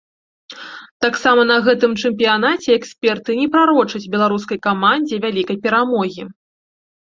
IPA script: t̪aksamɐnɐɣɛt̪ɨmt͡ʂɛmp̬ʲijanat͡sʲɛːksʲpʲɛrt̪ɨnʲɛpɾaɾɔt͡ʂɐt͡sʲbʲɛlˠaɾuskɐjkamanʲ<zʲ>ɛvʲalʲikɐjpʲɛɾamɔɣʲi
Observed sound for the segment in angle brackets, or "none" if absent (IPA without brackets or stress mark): d͡zʲ